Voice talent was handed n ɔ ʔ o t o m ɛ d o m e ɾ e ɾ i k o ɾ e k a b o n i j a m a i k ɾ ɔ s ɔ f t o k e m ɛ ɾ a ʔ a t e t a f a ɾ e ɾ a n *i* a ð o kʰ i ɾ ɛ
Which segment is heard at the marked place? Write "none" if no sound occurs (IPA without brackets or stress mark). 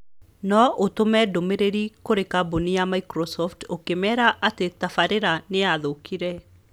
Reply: e